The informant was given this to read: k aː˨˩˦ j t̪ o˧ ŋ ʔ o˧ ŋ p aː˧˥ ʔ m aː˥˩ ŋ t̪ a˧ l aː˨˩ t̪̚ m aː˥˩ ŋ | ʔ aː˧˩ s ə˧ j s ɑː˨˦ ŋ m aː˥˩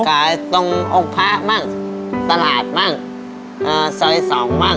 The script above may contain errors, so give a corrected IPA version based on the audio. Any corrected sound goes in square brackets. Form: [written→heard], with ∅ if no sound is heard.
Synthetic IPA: k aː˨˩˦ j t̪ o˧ ŋ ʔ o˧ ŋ [p→pʰ] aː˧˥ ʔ m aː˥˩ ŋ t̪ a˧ l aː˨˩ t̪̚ m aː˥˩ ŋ | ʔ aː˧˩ s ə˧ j s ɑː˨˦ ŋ m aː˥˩